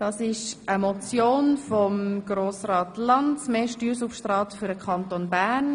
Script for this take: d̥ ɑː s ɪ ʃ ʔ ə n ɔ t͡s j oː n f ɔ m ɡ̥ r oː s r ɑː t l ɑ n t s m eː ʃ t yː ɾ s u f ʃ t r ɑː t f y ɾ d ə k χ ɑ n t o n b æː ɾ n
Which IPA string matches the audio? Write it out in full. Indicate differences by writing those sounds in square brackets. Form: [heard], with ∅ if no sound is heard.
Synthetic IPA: d̥ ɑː s ɪ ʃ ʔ ə [m] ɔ t͡s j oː n f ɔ m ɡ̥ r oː s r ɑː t l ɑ n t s m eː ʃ t yː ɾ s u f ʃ t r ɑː t f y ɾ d ə k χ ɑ n t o n b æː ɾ n